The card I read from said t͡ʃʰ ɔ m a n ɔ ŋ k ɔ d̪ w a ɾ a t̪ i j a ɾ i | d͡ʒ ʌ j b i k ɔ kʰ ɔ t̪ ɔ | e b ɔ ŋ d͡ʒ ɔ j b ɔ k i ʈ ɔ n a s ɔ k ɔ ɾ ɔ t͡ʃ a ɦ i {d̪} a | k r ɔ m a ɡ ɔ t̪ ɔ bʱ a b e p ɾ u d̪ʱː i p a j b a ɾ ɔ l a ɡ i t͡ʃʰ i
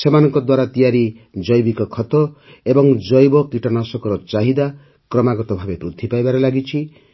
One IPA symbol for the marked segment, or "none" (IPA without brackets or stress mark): d̪